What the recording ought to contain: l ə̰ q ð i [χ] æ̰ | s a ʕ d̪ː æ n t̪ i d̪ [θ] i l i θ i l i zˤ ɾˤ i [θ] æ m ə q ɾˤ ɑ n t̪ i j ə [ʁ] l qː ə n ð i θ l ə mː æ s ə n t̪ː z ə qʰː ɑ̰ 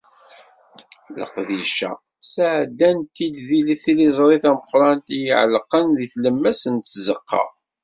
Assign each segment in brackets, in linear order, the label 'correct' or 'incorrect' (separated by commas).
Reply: incorrect, incorrect, correct, incorrect